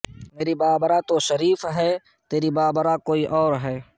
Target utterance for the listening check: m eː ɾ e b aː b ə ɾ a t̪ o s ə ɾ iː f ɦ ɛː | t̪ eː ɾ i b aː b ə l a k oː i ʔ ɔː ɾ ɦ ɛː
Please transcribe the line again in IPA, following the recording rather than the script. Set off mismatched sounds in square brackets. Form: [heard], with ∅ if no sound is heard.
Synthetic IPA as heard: m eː ɾ [i] b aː b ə ɾ a t̪ o [ʃ] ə ɾ iː f ɦ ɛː | t̪ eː ɾ i b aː b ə [ɾ] a k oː i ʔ ɔː ɾ ɦ ɛː